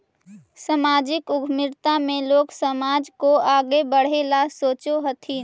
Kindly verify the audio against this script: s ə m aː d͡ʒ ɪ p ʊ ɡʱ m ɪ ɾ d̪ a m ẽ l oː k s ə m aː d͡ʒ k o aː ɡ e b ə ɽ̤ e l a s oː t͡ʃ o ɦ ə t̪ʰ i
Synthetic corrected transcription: s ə m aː d͡ʒ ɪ k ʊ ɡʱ m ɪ ɾ t̪ a m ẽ l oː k s ə m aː d͡ʒ k o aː ɡ e b ə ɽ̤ e l a s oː t͡ʃ o ɦ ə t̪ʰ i

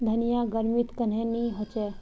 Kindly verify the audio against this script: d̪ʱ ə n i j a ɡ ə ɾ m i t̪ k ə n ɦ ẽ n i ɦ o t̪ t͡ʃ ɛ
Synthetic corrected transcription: d̪ʱ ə n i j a ɡ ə ɾ m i t̪ k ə n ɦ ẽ n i ɦ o t͡ʃ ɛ

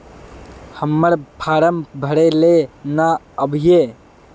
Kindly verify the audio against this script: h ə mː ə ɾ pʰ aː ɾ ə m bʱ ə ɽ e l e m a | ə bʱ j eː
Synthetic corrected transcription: h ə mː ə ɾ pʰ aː ɾ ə m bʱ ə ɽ e l e n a | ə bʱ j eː

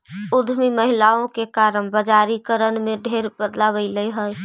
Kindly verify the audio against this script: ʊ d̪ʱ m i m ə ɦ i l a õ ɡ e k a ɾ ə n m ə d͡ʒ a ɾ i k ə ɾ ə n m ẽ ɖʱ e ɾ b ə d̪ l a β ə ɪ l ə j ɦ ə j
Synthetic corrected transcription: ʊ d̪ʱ m i m ə ɦ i l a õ k e k a ɾ ə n b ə d͡ʒ a ɾ i k ə ɾ ə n m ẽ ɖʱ e ɾ b ə d̪ l a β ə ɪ l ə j ɦ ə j

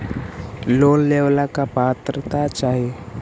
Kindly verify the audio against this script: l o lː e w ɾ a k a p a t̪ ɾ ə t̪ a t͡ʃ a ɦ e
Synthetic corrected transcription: l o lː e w l a k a p a t̪ ɾ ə t̪ a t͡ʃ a ɦ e

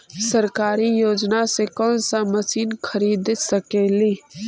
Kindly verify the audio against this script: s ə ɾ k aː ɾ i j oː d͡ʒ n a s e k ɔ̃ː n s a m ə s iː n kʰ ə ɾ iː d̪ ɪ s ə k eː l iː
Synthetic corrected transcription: s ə ɾ k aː ɾ i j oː d͡ʒ n a s e k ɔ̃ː n s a m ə s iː n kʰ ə ɾ iː d̪ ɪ s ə k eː l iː

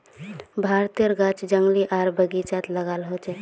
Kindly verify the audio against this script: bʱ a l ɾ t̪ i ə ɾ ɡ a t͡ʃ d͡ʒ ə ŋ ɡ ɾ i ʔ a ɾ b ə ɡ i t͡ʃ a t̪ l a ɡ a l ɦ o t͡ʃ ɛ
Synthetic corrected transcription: bʱ a ɾ t̪ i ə ɾ ɡ a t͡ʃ d͡ʒ ə ŋ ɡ l i ʔ a ɾ b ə ɡ i t͡ʃ a t̪ l ə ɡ a l ɦ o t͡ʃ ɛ

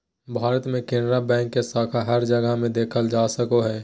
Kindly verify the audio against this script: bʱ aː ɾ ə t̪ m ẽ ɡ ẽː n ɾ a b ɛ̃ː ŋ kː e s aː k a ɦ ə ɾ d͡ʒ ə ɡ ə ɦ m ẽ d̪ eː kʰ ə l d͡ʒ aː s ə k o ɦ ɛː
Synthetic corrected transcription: bʱ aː ɾ ə t̪ m ẽ k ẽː n ɾ a b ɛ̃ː ŋ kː e s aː kʰ a ɦ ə ɾ d͡ʒ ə ɡ ə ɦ m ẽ d̪ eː kʰ ə l d͡ʒ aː s ə k o ɦ ɛː

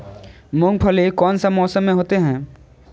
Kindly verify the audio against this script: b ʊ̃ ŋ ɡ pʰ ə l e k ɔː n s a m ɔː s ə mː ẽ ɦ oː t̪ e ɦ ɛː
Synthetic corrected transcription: m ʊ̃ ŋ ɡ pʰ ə l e k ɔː n s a m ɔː s ə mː ẽ ɦ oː t̪ e ɦ ɛ̃ː

